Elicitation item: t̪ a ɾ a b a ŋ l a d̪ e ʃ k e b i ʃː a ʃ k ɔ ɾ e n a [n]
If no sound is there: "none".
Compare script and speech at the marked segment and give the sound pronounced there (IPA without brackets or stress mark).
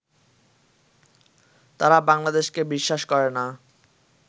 none